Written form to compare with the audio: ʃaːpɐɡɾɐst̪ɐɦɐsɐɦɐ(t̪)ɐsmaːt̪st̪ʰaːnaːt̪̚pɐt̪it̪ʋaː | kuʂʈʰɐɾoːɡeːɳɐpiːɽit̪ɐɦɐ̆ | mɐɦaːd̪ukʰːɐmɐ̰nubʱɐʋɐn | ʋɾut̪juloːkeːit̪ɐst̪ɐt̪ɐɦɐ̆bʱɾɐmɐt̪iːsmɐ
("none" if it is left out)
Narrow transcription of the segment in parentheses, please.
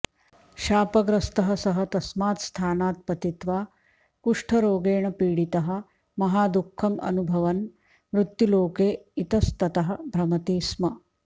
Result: t̪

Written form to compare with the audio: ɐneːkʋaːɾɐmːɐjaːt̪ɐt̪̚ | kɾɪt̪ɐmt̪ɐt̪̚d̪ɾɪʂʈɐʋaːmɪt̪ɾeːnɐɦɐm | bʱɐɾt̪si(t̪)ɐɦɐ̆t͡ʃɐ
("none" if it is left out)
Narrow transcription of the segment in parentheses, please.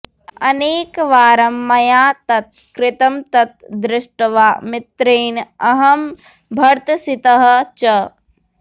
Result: t̪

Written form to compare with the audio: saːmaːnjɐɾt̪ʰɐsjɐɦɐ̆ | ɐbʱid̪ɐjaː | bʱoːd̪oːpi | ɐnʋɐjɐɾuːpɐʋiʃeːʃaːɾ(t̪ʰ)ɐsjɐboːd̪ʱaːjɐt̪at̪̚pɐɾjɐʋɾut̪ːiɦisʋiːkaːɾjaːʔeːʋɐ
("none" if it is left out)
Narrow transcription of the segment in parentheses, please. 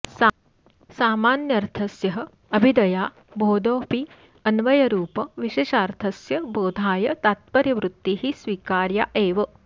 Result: t̪ʰ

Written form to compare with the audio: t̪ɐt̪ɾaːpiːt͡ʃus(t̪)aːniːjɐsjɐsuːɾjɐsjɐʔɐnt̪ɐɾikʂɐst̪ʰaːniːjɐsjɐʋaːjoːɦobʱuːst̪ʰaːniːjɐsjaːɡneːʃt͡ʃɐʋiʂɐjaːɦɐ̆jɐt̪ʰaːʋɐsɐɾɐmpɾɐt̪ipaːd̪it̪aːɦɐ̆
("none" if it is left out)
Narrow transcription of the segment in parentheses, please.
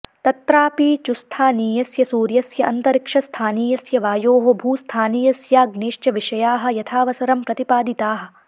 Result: t̪ʰ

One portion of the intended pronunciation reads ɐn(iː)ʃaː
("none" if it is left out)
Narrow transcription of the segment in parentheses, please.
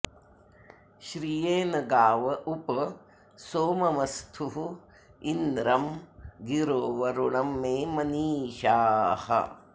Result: iː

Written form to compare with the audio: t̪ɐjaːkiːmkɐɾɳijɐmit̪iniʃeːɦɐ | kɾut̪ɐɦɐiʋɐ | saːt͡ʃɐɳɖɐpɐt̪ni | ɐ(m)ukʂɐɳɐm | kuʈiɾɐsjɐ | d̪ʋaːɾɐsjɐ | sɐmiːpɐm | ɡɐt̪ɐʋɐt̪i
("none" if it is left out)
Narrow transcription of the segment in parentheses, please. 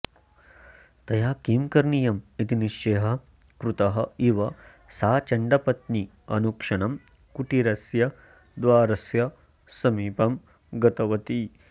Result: n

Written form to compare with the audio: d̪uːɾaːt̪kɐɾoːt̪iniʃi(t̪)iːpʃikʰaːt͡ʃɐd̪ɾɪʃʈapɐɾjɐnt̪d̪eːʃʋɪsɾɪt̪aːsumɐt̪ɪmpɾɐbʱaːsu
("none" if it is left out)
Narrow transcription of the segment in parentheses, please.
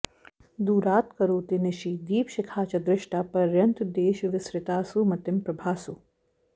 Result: d̪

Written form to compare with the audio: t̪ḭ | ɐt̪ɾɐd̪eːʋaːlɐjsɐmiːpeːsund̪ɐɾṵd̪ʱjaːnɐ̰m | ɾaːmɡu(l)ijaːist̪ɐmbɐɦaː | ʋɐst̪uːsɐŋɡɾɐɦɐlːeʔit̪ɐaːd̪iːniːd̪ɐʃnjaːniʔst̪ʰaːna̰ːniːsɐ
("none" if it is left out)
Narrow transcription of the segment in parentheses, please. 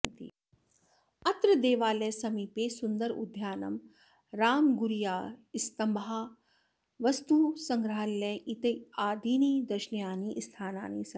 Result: ɾ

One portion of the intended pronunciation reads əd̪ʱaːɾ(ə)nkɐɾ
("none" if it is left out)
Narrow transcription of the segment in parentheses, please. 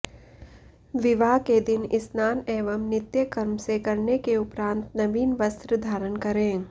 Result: ə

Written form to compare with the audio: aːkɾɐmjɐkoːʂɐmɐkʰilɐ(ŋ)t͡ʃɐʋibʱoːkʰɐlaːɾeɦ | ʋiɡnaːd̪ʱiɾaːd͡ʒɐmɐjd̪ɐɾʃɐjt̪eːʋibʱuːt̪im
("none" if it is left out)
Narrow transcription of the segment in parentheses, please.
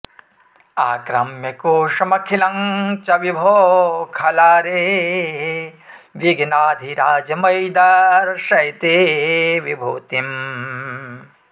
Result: ŋ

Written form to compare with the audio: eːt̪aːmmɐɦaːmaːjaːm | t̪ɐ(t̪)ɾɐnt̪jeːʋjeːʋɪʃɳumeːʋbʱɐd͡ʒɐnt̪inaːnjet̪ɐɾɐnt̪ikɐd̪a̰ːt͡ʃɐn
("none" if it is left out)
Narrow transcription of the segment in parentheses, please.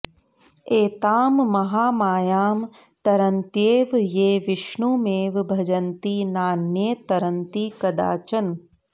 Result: none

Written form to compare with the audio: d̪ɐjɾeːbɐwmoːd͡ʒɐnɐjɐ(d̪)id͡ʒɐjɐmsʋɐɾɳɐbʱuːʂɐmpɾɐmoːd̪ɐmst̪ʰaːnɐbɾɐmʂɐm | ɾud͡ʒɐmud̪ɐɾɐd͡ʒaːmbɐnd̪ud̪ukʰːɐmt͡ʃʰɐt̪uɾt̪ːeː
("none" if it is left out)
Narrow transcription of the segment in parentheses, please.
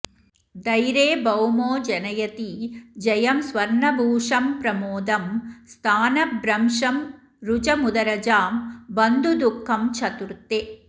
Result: t̪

